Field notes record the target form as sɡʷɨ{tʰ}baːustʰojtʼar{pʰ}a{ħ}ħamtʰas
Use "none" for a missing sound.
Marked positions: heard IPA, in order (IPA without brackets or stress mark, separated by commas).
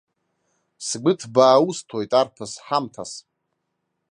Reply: tʰ, pʰ, s